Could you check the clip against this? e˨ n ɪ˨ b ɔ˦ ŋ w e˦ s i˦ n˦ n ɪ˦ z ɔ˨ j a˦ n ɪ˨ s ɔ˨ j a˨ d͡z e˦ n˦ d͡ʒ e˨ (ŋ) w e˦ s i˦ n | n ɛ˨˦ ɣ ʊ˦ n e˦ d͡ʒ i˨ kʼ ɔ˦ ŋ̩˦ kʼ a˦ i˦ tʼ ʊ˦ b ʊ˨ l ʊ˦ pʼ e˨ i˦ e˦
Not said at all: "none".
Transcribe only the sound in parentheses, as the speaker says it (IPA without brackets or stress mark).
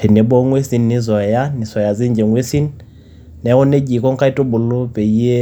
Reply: ŋ